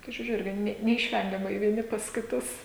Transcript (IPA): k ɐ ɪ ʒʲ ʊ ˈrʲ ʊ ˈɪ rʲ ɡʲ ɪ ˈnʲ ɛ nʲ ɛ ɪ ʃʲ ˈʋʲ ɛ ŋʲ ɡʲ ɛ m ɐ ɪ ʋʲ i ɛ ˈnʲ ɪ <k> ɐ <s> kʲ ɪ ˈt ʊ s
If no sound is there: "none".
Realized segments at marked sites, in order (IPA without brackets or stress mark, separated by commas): p, s